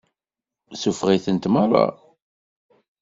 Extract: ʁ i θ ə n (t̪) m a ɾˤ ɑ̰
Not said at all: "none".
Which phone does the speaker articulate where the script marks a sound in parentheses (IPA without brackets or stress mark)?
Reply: t̪